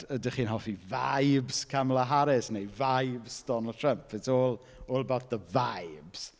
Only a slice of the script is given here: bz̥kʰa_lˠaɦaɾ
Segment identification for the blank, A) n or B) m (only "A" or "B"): B